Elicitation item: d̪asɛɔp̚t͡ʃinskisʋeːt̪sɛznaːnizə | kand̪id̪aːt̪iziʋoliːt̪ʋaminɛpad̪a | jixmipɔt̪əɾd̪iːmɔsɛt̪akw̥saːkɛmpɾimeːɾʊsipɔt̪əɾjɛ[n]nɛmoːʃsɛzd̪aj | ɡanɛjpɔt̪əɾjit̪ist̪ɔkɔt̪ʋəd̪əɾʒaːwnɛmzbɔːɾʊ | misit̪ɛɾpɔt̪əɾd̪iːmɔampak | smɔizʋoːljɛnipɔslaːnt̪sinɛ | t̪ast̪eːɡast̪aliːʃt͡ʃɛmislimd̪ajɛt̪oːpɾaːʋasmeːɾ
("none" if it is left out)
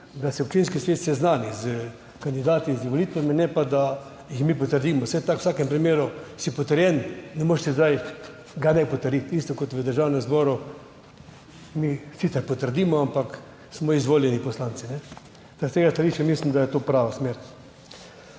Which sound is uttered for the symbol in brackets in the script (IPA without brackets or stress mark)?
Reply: n